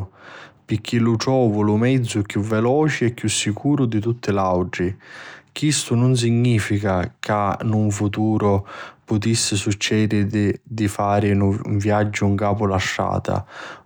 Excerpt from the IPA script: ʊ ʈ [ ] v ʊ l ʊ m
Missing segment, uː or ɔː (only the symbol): ɔː